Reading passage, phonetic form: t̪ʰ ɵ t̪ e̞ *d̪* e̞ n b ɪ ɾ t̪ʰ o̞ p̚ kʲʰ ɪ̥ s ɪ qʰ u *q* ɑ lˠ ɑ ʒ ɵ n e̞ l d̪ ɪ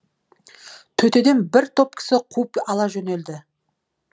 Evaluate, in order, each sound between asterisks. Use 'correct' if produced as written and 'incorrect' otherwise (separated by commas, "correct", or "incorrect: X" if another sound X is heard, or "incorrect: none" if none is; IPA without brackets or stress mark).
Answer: correct, incorrect: p